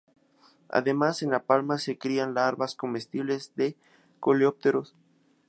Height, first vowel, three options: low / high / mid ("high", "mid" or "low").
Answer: low